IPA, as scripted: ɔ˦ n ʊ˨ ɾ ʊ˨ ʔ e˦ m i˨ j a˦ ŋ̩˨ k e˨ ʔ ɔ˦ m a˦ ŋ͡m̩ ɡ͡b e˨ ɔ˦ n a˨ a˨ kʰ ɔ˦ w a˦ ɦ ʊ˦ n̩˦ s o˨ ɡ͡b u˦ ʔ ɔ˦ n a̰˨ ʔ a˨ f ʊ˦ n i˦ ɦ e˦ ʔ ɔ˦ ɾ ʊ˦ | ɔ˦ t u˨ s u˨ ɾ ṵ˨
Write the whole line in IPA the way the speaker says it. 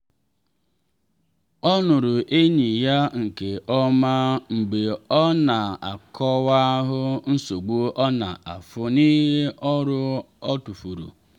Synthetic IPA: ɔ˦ n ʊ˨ ɾ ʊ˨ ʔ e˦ ɲ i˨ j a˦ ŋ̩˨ k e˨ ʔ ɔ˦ m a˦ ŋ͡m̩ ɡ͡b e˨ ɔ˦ n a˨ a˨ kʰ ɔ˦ w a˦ ɦ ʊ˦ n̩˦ s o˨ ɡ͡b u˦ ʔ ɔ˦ n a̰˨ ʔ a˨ f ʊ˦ n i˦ ɦ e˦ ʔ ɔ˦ ɾ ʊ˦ | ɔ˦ t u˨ f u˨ ɾ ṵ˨